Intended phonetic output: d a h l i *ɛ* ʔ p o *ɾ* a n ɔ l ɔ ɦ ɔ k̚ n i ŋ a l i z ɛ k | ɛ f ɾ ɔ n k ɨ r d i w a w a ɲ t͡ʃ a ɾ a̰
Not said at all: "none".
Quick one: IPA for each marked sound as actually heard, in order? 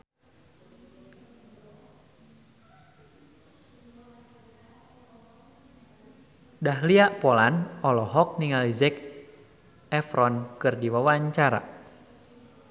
a, l

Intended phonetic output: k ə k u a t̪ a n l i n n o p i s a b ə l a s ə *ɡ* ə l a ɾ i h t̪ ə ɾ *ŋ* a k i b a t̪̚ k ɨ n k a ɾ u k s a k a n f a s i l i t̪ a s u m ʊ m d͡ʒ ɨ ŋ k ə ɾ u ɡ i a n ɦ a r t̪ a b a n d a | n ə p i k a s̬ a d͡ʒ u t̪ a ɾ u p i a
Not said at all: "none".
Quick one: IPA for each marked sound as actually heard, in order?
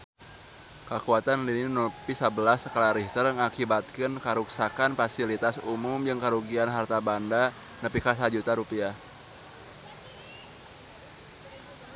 k, ŋ

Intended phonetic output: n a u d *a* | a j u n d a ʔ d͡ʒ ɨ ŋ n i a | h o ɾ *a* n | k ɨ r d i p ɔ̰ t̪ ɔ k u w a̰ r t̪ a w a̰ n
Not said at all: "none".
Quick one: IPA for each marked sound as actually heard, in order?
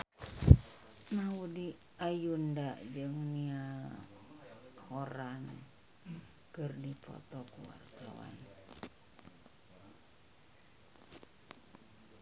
i, a

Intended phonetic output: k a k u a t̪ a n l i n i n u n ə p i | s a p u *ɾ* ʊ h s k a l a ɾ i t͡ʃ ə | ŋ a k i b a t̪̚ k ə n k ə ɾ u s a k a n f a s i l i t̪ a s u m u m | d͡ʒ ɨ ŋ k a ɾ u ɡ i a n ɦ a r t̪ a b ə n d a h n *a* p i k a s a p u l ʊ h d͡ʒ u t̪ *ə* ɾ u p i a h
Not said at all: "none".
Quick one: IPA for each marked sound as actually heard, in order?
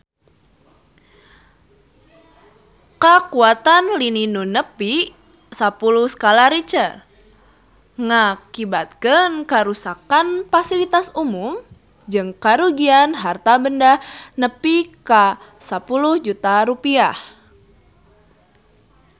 l, ə, a

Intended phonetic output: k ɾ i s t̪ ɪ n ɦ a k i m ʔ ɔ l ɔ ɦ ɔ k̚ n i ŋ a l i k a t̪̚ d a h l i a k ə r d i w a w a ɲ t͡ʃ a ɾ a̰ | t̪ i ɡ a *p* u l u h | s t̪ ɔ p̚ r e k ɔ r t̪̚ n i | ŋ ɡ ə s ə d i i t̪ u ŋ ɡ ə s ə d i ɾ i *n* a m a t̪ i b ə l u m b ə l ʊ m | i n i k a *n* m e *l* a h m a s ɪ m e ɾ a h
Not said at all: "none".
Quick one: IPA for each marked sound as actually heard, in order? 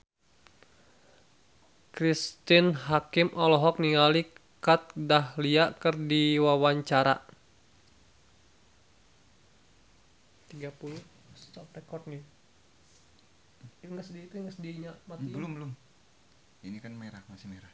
p, ɲ, n, ɾ

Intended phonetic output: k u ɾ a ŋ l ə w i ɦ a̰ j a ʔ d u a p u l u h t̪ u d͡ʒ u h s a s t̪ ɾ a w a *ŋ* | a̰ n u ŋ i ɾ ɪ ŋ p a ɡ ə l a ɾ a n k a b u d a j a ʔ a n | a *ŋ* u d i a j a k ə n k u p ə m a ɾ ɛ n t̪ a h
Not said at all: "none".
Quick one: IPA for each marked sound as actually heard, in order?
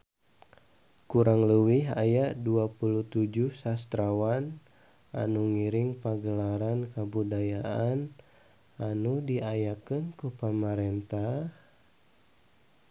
n, n

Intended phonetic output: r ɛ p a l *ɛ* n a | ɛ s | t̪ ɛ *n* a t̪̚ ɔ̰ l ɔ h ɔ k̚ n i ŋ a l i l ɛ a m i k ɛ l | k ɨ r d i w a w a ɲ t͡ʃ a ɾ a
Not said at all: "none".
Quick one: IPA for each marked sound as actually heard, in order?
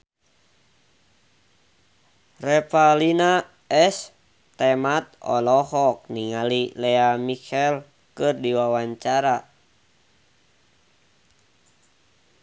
i, m

